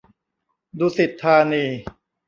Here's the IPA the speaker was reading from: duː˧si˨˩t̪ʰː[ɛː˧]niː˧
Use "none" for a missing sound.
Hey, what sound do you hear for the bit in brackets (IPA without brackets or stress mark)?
aː˧